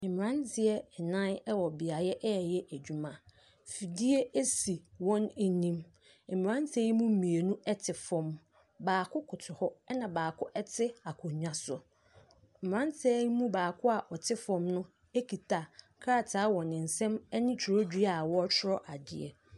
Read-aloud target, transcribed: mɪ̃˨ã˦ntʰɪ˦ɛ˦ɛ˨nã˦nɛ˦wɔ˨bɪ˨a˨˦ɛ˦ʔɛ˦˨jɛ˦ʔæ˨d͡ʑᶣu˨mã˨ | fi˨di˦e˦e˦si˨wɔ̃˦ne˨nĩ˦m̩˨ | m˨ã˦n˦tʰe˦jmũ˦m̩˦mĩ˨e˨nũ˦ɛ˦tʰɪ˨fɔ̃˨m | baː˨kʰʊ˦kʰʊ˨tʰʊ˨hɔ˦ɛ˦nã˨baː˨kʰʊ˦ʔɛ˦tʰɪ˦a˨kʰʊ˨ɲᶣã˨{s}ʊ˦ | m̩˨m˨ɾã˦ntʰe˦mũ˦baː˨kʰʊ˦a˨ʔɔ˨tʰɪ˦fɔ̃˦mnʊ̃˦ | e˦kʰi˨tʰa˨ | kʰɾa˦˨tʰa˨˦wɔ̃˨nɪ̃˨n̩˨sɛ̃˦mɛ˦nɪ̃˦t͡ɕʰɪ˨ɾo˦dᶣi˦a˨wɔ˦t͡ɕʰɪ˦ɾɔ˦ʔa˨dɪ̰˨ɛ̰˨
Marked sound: correct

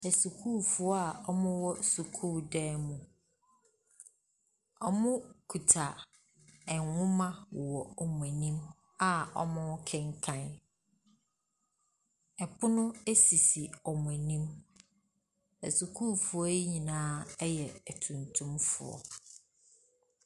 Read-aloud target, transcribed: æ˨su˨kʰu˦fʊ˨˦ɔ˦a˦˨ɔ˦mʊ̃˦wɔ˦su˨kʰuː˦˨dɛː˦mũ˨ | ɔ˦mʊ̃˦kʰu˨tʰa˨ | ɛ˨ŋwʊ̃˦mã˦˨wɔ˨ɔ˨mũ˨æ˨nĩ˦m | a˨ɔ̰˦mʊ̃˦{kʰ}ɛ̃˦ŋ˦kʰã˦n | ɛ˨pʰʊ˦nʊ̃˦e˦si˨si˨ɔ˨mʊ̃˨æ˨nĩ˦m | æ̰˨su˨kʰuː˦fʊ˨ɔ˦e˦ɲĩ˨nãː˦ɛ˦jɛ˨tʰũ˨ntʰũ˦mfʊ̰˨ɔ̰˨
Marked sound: correct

